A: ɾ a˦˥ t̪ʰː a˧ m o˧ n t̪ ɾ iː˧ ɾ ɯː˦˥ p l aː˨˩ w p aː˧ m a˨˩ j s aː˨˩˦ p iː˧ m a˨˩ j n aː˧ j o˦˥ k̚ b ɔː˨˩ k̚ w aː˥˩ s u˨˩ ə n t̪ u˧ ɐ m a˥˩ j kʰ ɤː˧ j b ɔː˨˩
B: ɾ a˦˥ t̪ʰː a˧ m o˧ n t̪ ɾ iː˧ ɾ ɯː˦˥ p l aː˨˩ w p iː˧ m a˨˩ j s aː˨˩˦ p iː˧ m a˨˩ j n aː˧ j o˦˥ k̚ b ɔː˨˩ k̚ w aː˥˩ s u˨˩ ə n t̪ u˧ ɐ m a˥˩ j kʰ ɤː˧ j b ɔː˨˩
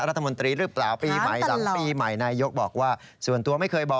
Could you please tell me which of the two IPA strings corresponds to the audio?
B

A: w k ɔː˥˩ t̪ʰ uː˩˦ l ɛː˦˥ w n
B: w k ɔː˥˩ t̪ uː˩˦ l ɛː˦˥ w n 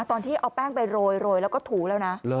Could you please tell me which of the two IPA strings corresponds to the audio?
A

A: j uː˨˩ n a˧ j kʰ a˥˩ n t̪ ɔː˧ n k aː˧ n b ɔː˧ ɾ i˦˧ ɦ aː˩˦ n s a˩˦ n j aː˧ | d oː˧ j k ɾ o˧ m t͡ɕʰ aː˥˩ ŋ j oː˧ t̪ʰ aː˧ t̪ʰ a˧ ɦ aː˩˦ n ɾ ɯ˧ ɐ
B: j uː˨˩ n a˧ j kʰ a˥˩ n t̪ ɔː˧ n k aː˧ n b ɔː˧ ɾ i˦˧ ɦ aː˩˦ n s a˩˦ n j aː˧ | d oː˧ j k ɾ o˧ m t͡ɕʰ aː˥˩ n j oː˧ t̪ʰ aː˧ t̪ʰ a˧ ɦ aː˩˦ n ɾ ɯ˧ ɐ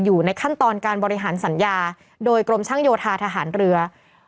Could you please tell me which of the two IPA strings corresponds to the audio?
A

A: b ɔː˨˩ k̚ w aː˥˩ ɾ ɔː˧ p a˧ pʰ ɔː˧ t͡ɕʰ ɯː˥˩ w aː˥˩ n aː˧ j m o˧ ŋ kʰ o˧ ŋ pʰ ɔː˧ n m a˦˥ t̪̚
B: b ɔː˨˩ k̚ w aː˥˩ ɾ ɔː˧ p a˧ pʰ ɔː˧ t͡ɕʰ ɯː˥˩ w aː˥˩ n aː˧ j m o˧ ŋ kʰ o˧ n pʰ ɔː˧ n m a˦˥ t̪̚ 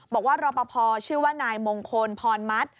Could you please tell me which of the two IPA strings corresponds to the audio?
B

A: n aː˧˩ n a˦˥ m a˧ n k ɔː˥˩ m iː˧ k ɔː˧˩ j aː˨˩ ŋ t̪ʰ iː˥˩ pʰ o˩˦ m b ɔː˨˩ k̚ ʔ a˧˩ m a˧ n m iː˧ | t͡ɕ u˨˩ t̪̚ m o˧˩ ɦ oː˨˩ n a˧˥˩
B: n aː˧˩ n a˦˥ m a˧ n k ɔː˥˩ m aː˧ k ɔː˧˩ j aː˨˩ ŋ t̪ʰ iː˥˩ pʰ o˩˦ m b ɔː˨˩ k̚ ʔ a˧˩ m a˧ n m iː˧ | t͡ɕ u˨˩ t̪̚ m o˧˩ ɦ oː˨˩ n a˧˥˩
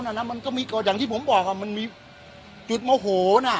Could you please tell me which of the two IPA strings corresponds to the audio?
A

